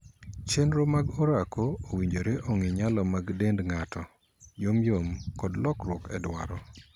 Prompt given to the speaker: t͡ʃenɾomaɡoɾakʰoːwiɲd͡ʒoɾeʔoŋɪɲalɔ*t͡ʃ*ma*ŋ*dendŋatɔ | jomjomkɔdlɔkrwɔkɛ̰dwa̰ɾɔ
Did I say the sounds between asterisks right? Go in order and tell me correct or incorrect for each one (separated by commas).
incorrect, incorrect